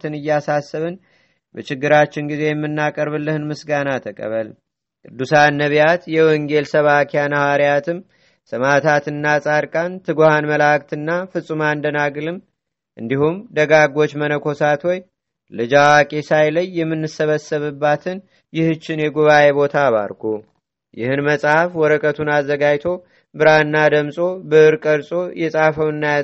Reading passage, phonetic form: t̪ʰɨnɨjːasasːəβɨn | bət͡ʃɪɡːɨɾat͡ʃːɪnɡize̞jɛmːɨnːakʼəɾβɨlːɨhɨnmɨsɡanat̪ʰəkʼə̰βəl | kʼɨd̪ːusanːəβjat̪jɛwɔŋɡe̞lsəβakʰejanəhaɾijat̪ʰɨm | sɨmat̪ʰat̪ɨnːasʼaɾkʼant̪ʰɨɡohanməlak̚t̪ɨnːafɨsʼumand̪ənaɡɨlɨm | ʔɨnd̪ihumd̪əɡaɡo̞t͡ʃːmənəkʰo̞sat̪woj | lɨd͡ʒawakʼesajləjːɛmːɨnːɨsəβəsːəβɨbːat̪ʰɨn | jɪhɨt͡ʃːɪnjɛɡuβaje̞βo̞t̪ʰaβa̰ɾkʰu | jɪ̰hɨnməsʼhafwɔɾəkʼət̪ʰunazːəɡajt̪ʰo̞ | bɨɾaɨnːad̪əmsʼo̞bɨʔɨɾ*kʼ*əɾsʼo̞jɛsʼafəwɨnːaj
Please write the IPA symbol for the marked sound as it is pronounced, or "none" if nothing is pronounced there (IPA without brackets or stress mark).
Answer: kʼ